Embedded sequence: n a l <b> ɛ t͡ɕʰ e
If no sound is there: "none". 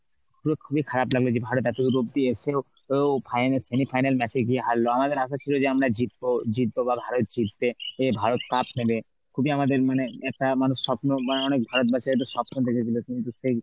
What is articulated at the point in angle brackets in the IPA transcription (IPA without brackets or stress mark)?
m